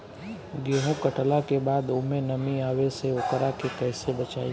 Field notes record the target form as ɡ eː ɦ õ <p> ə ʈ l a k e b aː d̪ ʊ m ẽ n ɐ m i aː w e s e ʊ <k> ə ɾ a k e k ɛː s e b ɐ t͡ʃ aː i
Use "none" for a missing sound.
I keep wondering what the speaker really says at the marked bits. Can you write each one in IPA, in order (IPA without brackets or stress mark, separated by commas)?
k, k